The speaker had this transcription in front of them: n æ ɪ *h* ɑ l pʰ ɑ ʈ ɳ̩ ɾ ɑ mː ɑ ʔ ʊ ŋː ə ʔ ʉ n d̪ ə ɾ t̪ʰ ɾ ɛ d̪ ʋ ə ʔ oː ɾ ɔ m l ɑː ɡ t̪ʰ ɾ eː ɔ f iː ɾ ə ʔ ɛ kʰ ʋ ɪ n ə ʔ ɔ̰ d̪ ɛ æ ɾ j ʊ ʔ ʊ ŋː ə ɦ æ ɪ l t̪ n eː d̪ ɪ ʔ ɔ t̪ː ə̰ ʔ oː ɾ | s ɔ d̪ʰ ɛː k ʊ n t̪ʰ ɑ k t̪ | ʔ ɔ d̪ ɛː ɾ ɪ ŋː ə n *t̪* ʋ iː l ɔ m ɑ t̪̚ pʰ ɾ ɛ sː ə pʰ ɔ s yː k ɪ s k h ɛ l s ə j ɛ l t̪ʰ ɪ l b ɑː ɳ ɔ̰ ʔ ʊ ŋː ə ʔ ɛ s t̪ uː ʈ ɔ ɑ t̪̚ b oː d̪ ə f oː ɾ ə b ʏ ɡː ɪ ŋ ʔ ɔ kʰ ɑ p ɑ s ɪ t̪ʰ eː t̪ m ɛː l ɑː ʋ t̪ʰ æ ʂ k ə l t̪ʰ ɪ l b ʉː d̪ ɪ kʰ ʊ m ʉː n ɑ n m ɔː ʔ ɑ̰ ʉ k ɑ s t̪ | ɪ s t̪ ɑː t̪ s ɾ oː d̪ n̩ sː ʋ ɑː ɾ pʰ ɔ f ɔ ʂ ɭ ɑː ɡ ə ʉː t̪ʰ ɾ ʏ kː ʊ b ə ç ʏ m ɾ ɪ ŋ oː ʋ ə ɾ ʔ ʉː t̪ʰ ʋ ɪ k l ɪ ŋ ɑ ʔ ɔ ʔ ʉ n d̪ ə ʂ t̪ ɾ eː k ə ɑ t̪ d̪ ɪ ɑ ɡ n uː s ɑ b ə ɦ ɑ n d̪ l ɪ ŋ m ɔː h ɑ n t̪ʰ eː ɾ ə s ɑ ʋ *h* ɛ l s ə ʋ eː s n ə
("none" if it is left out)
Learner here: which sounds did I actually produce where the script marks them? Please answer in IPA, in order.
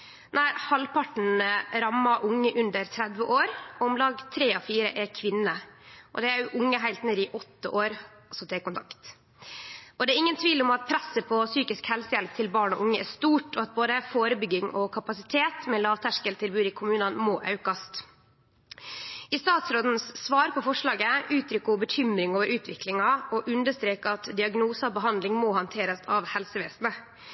h, t̪ʰ, h

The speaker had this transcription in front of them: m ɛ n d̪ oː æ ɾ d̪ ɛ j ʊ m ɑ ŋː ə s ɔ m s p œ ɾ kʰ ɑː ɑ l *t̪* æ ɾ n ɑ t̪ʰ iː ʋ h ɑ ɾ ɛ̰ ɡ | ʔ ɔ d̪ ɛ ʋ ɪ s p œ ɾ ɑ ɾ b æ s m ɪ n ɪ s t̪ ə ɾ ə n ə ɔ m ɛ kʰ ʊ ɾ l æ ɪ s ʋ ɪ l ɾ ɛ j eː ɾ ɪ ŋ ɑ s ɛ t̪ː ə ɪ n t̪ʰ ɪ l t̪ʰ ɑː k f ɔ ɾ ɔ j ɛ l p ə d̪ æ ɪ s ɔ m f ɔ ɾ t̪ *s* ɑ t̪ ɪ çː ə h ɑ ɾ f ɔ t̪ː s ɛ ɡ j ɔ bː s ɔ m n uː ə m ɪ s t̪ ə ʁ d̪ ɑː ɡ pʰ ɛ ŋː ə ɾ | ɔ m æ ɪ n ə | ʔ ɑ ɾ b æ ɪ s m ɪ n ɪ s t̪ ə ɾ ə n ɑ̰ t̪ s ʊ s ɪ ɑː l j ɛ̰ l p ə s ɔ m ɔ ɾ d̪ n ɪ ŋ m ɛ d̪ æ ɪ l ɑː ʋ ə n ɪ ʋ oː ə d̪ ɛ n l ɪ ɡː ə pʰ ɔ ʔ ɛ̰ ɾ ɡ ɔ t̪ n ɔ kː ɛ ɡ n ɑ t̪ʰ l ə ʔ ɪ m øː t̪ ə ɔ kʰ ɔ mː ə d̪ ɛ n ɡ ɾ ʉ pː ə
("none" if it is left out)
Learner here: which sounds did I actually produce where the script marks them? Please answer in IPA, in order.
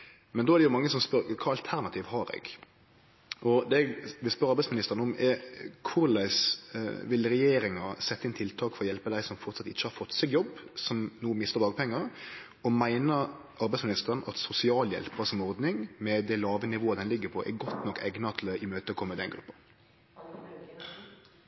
t̪ʰ, s

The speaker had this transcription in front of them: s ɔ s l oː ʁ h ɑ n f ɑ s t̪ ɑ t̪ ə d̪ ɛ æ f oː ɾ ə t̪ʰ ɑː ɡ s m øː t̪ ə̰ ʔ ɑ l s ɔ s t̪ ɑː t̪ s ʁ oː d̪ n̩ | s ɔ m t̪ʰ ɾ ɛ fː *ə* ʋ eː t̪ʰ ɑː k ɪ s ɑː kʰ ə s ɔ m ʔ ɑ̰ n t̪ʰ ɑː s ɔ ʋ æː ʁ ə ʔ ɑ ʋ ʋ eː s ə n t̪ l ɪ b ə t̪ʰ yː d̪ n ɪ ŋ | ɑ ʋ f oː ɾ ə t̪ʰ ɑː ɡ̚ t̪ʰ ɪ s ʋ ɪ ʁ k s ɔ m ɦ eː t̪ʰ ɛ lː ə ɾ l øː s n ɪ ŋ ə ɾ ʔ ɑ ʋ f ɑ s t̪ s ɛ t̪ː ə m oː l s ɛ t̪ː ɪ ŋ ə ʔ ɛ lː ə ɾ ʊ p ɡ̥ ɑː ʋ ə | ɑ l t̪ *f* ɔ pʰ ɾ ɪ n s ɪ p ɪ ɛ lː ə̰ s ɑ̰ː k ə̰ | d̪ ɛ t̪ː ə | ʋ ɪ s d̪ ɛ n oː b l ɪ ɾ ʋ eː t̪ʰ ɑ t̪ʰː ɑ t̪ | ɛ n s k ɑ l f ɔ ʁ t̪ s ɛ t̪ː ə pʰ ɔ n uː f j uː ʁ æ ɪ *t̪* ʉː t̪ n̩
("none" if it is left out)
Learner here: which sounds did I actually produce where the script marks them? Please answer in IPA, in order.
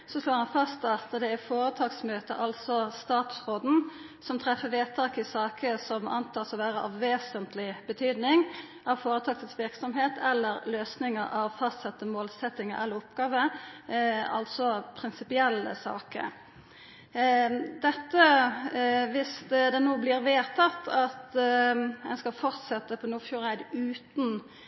ə, s, d̪

